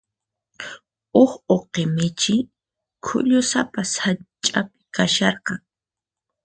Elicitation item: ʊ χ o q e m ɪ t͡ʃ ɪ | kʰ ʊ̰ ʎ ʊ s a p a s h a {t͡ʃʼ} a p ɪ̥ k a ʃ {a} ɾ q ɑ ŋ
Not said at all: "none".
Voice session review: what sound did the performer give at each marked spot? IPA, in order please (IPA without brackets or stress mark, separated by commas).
t͡ʃʼ, ɑ